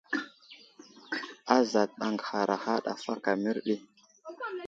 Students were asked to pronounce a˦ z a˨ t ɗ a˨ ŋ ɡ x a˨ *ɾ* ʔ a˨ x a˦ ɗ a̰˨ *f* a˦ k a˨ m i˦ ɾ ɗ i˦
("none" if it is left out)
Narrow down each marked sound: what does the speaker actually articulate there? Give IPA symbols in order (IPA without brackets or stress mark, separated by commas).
ɾ, f